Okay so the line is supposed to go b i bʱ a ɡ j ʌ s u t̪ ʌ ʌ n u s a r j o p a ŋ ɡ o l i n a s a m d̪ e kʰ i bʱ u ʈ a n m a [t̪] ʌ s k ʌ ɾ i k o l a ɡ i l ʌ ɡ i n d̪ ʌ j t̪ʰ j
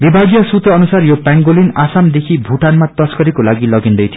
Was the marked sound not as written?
no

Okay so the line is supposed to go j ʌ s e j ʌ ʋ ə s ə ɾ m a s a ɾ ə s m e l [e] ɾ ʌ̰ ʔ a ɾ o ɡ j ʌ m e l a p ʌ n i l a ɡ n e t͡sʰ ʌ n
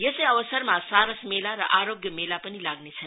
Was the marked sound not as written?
yes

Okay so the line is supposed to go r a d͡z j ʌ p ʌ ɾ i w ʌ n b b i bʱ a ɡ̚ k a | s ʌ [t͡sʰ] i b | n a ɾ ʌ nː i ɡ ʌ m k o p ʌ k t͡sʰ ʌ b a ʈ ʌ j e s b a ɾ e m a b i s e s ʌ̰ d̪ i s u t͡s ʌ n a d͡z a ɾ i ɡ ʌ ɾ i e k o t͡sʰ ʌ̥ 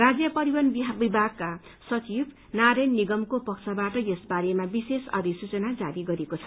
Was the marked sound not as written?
yes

